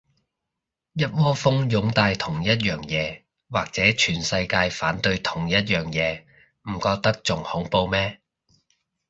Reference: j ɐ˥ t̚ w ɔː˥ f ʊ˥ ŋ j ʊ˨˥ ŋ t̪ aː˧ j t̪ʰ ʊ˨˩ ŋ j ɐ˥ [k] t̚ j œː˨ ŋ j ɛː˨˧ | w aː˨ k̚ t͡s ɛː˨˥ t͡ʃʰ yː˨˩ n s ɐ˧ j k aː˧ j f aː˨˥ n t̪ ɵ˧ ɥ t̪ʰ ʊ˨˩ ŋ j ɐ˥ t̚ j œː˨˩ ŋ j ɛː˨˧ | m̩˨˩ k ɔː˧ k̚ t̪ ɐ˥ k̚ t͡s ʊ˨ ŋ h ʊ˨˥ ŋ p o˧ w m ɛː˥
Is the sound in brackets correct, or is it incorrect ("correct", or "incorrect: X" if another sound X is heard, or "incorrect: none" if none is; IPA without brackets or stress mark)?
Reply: incorrect: none